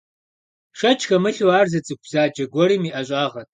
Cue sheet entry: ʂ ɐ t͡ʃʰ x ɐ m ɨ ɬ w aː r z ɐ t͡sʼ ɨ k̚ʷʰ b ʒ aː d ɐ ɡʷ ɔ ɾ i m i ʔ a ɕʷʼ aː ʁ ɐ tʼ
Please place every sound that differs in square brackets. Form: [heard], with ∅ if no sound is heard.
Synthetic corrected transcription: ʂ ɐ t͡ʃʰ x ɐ m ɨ ɬ w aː r z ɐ t͡sʼ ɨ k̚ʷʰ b [z] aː [d͡ʒ] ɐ ɡʷ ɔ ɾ i m i ʔ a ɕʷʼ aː ʁ ɐ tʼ